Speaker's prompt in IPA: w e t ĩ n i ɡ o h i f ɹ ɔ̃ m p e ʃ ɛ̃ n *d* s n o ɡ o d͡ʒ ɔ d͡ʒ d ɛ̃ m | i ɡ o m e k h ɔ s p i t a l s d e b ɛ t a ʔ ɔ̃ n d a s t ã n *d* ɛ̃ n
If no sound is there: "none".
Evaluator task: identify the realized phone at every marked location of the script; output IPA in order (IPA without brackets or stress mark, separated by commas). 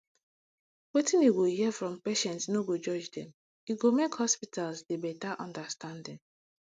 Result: t, d